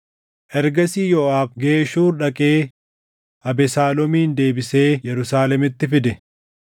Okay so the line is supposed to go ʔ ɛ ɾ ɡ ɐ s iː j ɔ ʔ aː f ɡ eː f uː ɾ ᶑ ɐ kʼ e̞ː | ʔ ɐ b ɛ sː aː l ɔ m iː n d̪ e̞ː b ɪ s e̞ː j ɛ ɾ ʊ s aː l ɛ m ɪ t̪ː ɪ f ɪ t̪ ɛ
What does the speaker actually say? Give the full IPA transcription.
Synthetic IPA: ʔ ɛ ɾ ɡ ɐ s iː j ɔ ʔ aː f ɡ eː ʃ uː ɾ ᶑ ɐ kʼ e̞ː | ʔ ɐ b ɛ s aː l ɔ m iː n d̪ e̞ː b ɪ s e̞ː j ɛ ɾ ʊ s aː l ɛ m ɪ t̪ː ɪ f ɪ d̪ ɛ

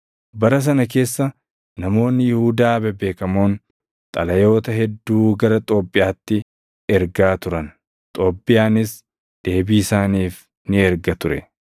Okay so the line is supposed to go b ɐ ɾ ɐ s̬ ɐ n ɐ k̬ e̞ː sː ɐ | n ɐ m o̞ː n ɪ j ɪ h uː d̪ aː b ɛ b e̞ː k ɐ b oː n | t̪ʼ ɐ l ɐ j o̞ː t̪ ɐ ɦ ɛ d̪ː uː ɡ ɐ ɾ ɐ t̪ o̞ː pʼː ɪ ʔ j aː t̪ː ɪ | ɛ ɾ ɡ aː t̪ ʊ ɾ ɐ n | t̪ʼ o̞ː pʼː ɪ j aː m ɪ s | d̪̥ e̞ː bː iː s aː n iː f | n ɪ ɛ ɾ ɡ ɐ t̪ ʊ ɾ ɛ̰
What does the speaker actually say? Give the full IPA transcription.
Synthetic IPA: b ɐ ɾ ɐ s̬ ɐ n ɐ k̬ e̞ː sː ɐ | n ɐ m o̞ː nː ɪ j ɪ h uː d̪ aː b ɛ b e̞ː k ɐ m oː n | t̪ʼ ɐ l ɐ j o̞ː t̪ ɐ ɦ ɛ d̪ː uː ɡ ɐ ɾ ɐ t̪ʼ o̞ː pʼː ɪ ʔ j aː t̪ː ɪ | ɛ ɾ ɡ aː t̪ ʊ ɾ ɐ n | t̪ʼ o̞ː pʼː ɪ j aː n ɪ s | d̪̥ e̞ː b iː s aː n iː f | n ɪ ɛ ɾ ɡ ɐ t̪ ʊ ɾ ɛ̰

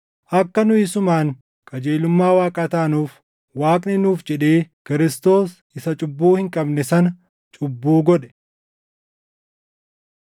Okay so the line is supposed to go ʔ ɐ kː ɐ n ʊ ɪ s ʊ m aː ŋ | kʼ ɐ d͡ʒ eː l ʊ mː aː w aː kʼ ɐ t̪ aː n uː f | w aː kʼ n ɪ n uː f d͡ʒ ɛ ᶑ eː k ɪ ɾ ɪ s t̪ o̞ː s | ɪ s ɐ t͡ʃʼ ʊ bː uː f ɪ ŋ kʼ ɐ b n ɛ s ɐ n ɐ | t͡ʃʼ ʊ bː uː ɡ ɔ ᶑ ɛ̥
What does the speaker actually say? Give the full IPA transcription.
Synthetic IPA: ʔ ɐ kː ɐ n ʊ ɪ s ʊ m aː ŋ | kʼ ɐ d͡ʒ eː l ʊ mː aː w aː kʼ ɐ t̪ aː n uː f | w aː kʼ n ɪ n uː f d͡ʒ ɛ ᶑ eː k ɪ ɾ ɪ s t̪ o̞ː s | ɪ s ɐ t͡ʃʼ ʊ bː uː h ɪ ŋ kʼ ɐ b n ɛ s ɐ n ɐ | t͡ʃʼ ʊ bː uː ɡ ɔ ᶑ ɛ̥

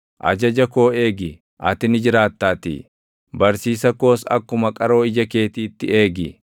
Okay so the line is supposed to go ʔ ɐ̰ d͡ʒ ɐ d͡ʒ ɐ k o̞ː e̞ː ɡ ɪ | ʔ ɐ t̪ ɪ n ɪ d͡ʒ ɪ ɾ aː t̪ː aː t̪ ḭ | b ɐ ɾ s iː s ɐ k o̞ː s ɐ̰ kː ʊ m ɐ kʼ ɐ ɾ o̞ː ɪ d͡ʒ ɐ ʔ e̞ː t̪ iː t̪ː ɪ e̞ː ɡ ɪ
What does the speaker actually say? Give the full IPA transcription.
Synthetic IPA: ʔ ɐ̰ d͡ʒ ɐ d͡ʒ ɐ k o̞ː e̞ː ɡ ɪ | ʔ ɐ t̪ ɪ n ɪ d͡ʒ ɪ ɾ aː t̪ː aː t̪ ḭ | b ɐ ɾ s iː s ɐ k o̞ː s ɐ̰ kː ʊ m ɐ kʼ ɐ ɾ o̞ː ɪ d͡ʒ ɐ k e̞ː t̪ iː t̪ː ɪ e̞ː ɡ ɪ

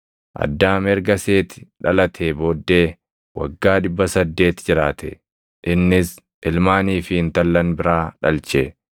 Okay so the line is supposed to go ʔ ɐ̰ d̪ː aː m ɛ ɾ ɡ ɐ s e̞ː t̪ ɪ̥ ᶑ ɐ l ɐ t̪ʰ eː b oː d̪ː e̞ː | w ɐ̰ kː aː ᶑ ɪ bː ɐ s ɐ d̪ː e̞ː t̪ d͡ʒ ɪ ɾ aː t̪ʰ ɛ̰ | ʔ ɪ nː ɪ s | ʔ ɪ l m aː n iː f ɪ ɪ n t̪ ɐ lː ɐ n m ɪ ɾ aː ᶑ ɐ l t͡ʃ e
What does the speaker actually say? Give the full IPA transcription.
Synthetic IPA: ʔ ɐ̰ d̪ː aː m ɛ ɾ ɡ ɐ s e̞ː t̪ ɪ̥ ᶑ ɐ l ɐ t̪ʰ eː b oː d̪ː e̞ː | w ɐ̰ ɡː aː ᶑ ɪ bː ɐ s ɐ d̪ː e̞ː t̪ d͡ʒ ɪ ɾ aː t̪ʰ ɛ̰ | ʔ ɪ nː ɪ s | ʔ ɪ l m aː n iː f ɪ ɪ n t̪ ɐ lː ɐ n b ɪ ɾ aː ᶑ ɐ l t͡ʃ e

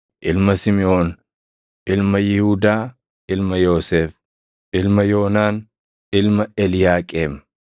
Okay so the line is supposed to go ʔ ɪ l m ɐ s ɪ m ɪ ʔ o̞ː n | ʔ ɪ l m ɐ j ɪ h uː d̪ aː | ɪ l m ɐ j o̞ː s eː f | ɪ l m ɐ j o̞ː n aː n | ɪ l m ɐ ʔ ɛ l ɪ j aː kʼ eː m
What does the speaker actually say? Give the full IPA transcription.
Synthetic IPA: ʔ ɪ l m ɐ s ɪ m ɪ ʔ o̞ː n | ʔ ɪ l m ɐ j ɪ h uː d̪ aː | ɪ l m ɐ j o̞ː s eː f | ɪ l m ɐ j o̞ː n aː n | ɪ l m ɐ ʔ ɛ l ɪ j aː kʼ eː m

